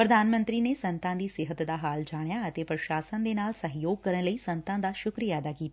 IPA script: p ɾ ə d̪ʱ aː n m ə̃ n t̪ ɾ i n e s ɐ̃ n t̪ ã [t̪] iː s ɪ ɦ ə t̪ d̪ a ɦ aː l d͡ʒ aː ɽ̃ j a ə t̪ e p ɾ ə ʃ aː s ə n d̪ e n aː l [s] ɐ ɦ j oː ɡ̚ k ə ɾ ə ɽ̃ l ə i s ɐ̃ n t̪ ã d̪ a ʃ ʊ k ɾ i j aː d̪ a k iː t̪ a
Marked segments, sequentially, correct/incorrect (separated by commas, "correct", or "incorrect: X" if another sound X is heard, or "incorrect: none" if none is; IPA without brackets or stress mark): incorrect: d̪, correct